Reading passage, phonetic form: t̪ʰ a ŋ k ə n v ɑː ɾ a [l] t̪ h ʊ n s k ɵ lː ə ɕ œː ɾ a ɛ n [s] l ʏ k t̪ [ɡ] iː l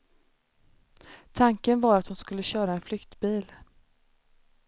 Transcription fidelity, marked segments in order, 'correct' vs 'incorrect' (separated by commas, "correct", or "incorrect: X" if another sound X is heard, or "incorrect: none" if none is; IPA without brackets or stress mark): incorrect: none, incorrect: f, incorrect: b